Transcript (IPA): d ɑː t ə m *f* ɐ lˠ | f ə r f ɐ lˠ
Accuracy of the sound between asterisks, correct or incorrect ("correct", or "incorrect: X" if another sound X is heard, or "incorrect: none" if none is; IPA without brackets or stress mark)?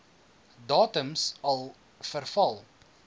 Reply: incorrect: s